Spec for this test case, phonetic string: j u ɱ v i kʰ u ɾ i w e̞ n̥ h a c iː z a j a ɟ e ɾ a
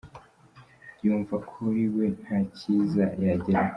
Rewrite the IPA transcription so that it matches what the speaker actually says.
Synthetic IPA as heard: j uː ɱ v a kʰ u ɾ i w e̞ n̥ h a c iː z a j a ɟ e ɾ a